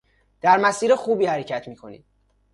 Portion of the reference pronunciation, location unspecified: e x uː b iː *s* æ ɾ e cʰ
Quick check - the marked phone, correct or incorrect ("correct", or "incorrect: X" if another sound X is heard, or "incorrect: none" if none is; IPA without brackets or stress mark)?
incorrect: h